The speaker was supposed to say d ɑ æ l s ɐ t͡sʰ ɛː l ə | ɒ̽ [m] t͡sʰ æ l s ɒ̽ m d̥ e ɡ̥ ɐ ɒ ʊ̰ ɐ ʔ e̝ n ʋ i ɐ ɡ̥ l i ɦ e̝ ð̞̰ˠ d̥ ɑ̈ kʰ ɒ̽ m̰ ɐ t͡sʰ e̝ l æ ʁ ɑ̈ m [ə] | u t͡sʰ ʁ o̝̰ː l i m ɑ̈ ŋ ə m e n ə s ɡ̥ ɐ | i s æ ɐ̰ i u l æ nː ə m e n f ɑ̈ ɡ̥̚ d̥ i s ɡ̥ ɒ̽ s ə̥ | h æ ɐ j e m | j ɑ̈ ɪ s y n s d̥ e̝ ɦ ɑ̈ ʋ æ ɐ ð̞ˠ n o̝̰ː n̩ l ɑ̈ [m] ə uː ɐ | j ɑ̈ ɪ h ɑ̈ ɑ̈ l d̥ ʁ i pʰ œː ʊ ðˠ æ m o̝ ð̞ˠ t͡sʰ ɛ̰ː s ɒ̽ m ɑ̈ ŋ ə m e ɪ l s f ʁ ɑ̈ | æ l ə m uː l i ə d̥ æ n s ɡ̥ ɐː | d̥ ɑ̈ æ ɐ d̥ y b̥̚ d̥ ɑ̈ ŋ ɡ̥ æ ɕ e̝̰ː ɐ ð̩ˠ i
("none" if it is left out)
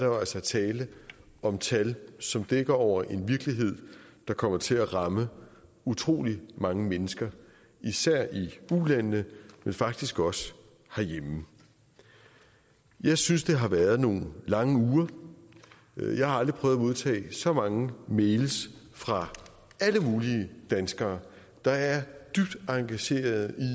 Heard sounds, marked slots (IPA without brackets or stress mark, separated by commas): m, ə, ŋ